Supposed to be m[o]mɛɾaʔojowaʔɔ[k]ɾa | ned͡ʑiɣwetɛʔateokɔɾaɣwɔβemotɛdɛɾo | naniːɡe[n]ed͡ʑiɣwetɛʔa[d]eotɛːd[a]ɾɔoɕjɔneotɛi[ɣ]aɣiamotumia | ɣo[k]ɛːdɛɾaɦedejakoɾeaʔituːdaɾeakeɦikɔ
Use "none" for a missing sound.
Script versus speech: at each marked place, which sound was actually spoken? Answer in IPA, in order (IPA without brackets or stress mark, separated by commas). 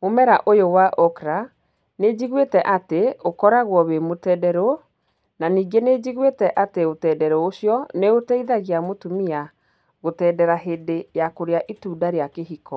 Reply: o, k, n, t, ɛ, ð, t